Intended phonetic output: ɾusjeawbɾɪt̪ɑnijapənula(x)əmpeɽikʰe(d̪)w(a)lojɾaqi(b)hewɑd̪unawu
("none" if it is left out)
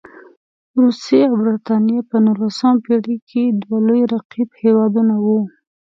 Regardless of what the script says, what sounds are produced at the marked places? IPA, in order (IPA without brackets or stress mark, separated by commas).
s, d̪, a, b